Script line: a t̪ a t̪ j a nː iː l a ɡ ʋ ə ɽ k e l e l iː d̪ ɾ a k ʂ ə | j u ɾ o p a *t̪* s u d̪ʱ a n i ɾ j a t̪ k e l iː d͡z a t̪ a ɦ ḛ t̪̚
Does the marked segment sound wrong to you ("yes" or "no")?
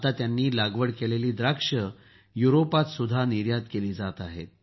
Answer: no